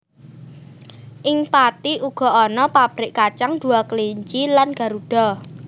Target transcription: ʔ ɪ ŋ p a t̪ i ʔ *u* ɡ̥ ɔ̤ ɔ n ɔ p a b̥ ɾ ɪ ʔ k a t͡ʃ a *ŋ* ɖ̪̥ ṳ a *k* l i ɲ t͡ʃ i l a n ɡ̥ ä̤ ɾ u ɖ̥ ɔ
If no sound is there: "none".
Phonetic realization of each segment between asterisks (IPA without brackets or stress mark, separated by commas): u, ŋ, k